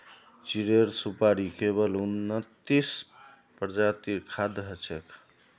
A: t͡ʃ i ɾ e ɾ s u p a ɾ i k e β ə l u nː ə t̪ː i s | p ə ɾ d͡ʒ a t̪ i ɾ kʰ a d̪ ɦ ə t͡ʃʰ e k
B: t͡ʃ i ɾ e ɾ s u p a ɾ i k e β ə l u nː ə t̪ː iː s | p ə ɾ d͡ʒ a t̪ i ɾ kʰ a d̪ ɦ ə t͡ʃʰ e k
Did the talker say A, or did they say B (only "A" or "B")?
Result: A